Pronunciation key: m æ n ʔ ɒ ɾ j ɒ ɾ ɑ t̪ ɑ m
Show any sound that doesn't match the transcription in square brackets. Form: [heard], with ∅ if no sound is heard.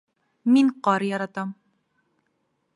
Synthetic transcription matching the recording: m [i] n [q] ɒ ɾ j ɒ ɾ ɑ t̪ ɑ m